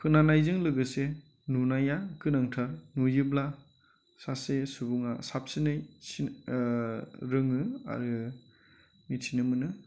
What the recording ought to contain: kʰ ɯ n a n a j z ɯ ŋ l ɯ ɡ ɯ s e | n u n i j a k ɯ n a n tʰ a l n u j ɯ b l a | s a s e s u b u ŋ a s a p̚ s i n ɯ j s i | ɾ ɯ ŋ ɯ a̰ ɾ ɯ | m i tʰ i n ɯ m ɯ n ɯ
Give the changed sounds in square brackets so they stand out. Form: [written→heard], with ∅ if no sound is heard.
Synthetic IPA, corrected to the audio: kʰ ɯ n a n a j z ɯ ŋ l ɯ ɡ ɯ s e | n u n [i→a] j a k ɯ n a [n→ŋ] tʰ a [l→ɾ] n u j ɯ b l a | s a s e s u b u ŋ a s a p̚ s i n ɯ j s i | ɾ ɯ ŋ ɯ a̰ ɾ ɯ | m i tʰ i n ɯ m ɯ n ɯ